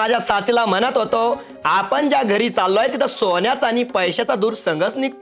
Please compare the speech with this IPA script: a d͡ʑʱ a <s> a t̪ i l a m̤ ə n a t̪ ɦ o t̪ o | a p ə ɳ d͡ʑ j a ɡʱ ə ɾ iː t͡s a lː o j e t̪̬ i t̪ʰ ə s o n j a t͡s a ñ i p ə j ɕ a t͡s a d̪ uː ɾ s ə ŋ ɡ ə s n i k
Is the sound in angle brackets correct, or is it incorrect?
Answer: correct